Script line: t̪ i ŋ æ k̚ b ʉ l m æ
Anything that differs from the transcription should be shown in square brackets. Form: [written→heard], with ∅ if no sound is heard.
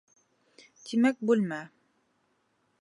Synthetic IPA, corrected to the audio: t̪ i [ŋ→m] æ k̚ b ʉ l m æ